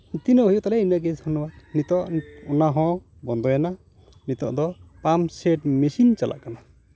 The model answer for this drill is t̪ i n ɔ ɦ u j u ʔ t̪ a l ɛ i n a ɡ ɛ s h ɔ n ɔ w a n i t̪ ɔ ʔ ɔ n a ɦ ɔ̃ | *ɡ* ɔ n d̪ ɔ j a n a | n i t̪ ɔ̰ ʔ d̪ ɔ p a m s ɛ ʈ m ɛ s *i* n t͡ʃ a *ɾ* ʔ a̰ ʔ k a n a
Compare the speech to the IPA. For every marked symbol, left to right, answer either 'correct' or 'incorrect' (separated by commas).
incorrect, correct, incorrect